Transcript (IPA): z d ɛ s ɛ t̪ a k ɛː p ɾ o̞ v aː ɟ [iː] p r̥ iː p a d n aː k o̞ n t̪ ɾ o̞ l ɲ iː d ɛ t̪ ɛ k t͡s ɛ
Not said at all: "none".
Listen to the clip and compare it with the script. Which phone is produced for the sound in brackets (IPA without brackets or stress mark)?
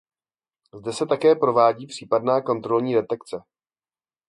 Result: iː